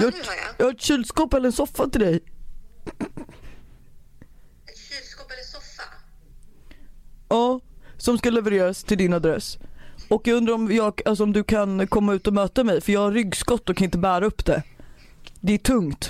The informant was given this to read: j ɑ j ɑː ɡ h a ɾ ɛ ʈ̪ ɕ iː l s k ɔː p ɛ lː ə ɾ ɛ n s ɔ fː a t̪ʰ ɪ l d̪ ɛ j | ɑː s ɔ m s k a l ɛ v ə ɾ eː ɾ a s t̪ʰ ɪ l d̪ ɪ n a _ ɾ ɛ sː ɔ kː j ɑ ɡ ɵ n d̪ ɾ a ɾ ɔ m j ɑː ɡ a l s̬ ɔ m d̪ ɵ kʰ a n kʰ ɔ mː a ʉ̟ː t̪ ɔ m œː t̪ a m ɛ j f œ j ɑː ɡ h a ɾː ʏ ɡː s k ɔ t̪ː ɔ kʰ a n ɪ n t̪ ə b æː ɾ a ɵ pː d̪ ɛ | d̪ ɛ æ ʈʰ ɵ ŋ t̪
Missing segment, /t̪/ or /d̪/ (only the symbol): d̪